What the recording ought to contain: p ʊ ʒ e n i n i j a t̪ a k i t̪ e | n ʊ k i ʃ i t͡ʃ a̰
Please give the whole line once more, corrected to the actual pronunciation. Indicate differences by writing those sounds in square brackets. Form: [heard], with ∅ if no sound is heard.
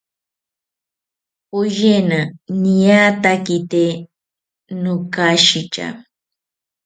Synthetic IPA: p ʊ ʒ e n [a] n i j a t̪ a k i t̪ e | n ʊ k [a] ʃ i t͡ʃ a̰